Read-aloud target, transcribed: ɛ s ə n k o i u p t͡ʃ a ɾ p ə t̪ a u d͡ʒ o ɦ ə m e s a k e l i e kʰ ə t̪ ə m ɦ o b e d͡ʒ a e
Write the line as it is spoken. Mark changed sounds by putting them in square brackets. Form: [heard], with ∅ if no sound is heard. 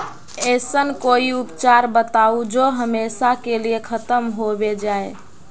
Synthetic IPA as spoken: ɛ s ə n k o i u p t͡ʃ a ɾ [b] ə t̪ a u d͡ʒ o ɦ ə m e s a k e l i e kʰ ə t̪ ə m ɦ o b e d͡ʒ a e